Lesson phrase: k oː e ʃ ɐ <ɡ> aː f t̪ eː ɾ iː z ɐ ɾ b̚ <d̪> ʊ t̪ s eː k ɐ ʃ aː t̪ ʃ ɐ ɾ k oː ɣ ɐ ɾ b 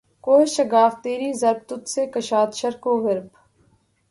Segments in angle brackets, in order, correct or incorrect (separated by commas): correct, incorrect